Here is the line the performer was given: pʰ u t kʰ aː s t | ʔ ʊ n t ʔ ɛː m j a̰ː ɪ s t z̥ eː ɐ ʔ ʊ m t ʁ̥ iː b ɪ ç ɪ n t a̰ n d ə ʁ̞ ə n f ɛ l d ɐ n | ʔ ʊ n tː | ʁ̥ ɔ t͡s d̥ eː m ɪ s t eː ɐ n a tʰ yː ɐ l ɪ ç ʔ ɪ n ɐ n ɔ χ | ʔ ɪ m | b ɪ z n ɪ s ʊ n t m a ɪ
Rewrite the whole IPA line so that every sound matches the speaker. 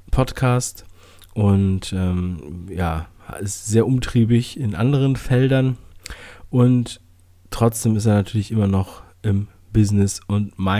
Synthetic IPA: pʰ ɔ t kʰ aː s t | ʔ ʊ n t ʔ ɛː m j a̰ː ɪ s t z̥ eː ɐ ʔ ʊ m t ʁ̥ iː b ɪ ç ɪ n ʔ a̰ n d ə ʁ̞ ə n f ɛ l d ɐ n | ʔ ʊ n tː | ʁ̥ ɔ t͡s d̥ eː m ɪ s t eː ɐ n a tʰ yː ɐ l ɪ ç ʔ ɪ m ɐ n ɔ χ | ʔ ɪ m | b ɪ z n ɪ s ʊ n t m a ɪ